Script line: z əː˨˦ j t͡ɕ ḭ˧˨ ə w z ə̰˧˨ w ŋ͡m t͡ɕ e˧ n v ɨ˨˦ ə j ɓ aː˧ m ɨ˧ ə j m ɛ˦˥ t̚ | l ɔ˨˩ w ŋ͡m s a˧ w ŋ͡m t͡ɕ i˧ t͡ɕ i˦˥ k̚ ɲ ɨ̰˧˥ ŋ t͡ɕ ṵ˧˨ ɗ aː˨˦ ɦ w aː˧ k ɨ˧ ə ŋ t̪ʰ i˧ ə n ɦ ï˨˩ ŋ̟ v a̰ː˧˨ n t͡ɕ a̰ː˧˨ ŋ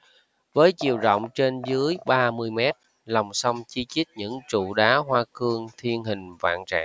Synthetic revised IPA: v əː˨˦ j t͡ɕ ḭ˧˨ ə w z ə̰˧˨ w ŋ͡m t͡ɕ e˧ n z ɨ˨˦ ə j ɓ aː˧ m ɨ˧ ə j m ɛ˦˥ t̚ | l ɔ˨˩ w ŋ͡m s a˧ w ŋ͡m t͡ɕ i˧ t͡ɕ i˦˥ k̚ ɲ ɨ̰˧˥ ŋ t͡ɕ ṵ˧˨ ɗ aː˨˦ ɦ w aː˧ k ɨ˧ ə ŋ t̪ʰ i˧ ə n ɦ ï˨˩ ŋ̟ v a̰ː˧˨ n t͡ɕ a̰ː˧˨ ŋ